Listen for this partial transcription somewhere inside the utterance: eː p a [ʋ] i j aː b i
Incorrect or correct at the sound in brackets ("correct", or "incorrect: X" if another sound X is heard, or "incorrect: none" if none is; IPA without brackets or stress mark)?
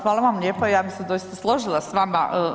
incorrect: none